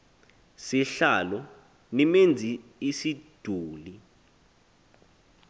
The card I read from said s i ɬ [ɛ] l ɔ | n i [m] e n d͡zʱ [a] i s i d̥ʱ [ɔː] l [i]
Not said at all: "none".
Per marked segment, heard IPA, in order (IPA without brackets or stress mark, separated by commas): a, m, i, uː, i